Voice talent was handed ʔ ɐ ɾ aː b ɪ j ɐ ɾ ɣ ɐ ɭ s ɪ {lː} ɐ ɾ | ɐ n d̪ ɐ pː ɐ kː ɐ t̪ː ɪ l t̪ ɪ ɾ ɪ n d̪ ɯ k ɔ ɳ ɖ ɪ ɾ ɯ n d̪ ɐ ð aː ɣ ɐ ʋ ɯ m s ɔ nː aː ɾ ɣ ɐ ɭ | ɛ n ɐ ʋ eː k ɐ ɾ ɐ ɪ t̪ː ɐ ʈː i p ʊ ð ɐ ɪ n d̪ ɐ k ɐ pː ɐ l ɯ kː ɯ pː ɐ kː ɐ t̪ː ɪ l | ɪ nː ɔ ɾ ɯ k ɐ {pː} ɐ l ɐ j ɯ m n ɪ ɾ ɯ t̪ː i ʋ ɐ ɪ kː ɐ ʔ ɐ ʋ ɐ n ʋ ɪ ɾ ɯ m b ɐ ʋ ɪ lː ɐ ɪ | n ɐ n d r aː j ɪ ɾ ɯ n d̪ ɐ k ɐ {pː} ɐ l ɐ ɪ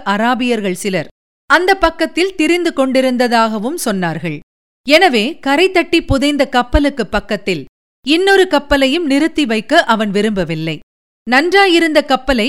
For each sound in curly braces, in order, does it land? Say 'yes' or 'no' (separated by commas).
no, yes, yes